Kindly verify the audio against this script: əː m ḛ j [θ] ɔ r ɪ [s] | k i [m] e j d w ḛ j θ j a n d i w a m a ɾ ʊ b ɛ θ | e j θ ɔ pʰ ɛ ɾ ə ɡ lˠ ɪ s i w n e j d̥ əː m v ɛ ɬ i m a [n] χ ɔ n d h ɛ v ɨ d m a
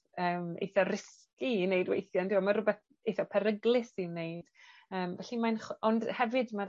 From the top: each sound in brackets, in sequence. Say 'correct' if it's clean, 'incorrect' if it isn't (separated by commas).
correct, correct, incorrect, correct